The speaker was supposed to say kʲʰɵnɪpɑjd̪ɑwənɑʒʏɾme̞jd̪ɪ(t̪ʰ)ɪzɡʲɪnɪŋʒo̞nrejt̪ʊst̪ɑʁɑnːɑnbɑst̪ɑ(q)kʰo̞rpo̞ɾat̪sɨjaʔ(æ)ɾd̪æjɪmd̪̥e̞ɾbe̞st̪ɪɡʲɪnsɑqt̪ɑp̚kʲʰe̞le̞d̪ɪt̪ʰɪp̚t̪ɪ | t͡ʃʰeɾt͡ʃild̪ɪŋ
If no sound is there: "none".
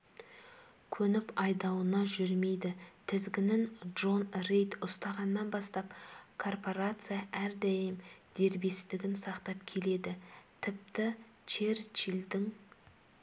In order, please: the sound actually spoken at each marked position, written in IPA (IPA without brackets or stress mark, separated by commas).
t̪ʰ, p, æ